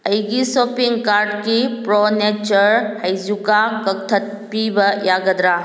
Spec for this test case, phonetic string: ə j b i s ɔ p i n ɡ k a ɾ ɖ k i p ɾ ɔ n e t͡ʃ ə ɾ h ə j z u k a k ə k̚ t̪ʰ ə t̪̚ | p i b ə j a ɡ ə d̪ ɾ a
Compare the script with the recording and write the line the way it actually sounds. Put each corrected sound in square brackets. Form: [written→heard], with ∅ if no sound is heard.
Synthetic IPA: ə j [b→ɡ] i s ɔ p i [n→ŋ] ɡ k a ɾ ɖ k i p ɾ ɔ n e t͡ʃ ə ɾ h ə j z u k a k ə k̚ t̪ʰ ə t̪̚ | p i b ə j a ɡ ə d̪ ɾ a